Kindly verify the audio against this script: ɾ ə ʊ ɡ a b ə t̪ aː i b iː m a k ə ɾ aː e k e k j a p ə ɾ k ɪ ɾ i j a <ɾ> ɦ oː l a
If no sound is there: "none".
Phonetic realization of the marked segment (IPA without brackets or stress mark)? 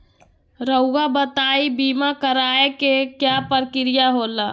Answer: none